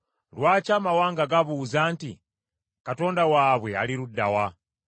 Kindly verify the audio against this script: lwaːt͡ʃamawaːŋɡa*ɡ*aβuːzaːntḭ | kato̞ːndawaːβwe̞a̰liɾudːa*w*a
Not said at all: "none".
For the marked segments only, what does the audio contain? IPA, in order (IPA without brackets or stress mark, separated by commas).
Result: ɡ, w